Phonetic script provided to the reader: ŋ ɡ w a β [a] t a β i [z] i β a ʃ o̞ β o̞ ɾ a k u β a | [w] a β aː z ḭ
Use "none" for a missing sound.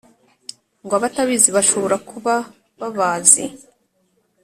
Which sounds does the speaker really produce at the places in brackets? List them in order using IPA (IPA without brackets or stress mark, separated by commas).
a, z, β